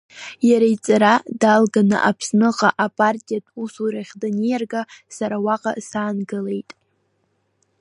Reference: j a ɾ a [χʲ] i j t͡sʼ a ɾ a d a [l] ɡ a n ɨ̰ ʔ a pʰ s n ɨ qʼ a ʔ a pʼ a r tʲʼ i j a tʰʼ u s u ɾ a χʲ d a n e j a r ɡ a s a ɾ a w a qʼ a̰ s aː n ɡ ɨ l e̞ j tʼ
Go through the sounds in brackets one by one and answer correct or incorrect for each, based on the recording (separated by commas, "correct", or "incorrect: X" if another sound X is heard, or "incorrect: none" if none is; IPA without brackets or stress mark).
incorrect: none, correct